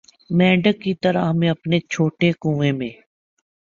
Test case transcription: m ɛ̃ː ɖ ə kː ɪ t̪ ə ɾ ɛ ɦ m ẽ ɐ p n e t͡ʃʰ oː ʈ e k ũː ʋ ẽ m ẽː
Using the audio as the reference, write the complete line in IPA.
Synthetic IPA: m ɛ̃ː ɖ ə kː i t̪ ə ɾ a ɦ m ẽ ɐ p n e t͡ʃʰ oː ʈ e k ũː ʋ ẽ m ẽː

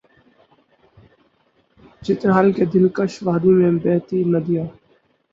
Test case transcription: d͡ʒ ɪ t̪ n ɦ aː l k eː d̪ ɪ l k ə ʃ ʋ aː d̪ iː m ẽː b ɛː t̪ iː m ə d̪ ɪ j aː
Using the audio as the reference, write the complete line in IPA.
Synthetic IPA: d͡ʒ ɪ t̪ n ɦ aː l k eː d̪ ɪ l k ə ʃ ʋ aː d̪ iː m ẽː b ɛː t̪ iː n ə d̪ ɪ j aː

